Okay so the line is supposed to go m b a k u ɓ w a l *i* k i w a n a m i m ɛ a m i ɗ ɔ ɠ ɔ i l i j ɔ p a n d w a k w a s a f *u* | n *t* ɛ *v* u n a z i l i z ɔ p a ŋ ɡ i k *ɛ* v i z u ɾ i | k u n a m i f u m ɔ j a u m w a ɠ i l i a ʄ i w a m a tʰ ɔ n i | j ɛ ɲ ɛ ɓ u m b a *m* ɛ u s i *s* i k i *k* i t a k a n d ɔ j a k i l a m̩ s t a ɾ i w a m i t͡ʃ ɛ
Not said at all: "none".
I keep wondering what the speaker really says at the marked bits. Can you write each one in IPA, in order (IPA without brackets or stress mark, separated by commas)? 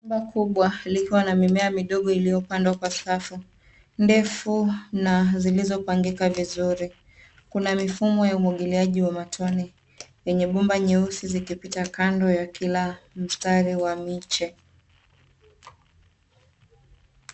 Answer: i, u, d, f, a, ɲ, z, p